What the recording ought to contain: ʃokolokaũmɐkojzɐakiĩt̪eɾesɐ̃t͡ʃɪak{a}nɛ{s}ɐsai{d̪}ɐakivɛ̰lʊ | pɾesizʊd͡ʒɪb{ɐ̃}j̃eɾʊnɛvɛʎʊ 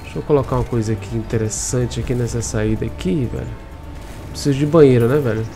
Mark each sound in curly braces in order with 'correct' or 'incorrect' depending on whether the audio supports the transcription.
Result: incorrect: i, correct, correct, correct

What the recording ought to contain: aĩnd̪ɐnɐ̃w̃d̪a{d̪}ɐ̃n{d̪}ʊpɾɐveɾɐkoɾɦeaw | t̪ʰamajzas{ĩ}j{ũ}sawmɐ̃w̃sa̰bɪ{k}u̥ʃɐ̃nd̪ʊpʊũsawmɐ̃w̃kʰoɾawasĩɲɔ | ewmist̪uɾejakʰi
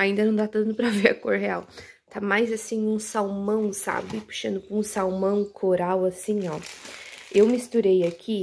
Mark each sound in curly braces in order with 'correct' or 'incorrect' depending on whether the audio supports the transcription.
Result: incorrect: t̪, incorrect: t̪, correct, correct, incorrect: p

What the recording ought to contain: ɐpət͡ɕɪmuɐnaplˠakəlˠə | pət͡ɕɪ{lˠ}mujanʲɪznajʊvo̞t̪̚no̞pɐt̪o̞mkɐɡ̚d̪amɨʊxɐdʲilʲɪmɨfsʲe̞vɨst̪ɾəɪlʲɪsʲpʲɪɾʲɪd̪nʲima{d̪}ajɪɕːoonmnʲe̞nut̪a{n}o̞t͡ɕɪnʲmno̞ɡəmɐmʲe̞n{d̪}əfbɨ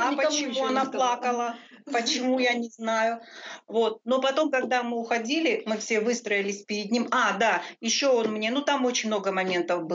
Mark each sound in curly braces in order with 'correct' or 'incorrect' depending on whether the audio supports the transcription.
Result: incorrect: none, correct, incorrect: m, incorrect: t̪

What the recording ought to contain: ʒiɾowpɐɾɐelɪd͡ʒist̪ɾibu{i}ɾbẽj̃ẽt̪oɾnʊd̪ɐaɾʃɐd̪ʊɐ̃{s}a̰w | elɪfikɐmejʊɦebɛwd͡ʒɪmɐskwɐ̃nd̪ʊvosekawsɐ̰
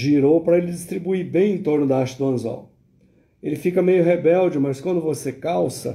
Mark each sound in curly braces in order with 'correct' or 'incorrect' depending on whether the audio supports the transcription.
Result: correct, incorrect: z

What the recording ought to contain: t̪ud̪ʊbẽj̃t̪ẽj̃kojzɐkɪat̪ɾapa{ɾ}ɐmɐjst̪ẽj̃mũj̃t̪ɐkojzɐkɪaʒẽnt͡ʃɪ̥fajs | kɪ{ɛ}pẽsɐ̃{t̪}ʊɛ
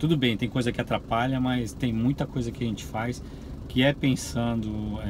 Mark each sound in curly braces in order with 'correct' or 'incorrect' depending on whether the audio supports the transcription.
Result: incorrect: ʎ, correct, incorrect: d̪

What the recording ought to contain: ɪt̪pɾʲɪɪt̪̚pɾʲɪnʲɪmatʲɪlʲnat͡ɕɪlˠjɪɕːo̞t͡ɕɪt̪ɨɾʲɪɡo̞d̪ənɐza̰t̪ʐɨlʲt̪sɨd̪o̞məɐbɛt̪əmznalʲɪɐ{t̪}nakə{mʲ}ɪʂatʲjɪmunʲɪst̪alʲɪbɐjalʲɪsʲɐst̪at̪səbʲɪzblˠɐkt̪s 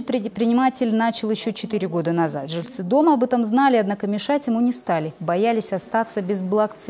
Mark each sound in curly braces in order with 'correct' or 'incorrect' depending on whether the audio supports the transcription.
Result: incorrect: d̪, correct

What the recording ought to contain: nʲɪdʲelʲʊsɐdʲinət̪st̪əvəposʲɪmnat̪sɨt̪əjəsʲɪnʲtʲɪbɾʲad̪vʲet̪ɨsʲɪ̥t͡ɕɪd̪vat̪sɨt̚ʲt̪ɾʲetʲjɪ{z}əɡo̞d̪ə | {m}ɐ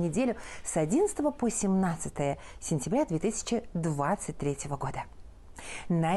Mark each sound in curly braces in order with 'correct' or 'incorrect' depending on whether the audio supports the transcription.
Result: incorrect: v, incorrect: n

